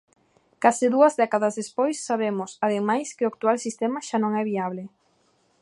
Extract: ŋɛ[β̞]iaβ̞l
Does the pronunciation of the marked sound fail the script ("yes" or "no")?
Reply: no